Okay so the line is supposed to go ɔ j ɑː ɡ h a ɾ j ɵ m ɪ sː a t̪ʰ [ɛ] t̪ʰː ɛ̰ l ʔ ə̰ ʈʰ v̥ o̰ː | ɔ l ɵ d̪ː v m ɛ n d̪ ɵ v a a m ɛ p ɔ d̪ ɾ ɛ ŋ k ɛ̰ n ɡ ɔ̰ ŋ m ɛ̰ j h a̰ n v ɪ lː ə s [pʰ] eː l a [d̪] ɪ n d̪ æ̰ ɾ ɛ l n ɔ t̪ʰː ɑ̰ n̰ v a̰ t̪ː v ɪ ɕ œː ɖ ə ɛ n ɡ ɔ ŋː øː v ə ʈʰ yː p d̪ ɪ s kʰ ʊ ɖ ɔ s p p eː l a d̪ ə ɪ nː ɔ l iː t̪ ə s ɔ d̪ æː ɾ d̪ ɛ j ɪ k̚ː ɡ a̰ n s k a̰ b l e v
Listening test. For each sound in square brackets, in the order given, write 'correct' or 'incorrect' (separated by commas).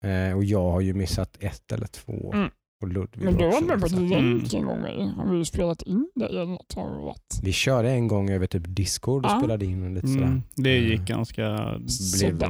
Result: correct, incorrect, incorrect